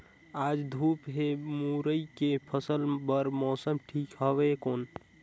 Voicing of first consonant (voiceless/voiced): voiced